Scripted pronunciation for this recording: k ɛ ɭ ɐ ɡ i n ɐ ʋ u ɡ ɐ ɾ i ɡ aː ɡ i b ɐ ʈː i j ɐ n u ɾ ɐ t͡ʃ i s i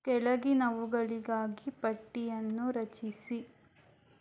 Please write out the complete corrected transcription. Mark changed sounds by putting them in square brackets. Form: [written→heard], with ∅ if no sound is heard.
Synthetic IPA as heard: k ɛ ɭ ɐ ɡ i n ɐ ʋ u ɡ ɐ [ɾ→ɭ] i ɡ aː ɡ i [b→p] ɐ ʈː i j ɐ [n→nː] u ɾ ɐ t͡ʃ i s i